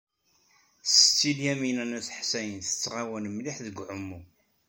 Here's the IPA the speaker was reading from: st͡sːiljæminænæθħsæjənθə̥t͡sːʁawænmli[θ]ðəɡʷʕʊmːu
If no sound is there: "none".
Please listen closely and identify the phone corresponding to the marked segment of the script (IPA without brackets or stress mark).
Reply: ħ